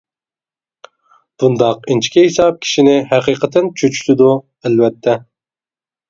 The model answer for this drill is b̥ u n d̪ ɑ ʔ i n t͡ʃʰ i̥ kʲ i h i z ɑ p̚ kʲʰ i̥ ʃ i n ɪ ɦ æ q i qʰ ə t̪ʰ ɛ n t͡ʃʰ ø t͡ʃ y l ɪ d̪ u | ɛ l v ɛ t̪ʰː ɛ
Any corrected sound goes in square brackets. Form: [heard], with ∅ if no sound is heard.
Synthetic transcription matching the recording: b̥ u n d̪ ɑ [q] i n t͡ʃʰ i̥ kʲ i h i [s] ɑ p̚ kʲʰ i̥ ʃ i n ɪ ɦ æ q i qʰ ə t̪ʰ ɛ n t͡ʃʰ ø t͡ʃ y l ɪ d̪ u | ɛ l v ɛ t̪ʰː ɛ